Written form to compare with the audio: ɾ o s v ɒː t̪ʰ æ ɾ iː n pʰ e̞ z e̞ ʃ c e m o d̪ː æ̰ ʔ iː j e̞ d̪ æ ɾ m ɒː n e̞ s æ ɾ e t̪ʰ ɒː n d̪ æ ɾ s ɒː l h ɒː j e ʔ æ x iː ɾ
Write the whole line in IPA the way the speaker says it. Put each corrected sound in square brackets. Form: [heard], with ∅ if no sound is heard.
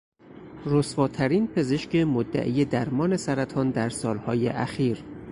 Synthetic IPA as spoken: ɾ o s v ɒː t̪ʰ æ ɾ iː n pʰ e̞ z e̞ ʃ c e m o d̪ː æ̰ ʔ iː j e̞ d̪ æ ɾ m ɒː n e̞ s æ ɾ [æ] t̪ʰ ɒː n d̪ æ ɾ s ɒː l h ɒː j e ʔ æ x iː ɾ